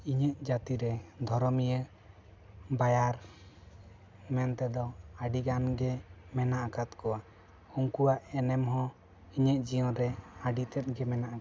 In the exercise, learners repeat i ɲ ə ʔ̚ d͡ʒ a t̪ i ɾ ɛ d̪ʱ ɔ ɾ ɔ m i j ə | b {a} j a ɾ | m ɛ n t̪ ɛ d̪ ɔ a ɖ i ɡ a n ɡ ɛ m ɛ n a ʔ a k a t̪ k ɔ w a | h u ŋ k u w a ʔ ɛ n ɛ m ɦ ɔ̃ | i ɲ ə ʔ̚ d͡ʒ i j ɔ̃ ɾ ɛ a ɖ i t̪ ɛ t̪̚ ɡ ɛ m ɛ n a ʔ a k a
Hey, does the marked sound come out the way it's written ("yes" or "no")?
yes